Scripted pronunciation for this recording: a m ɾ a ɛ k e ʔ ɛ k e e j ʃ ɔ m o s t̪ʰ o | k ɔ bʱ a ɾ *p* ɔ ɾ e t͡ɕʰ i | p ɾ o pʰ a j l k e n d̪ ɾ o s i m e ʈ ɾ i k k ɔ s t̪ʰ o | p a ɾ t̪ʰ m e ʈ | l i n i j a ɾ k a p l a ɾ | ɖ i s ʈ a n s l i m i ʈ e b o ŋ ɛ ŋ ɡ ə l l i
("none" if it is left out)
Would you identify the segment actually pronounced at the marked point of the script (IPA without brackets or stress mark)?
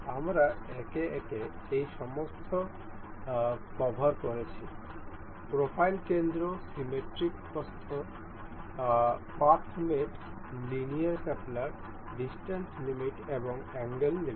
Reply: k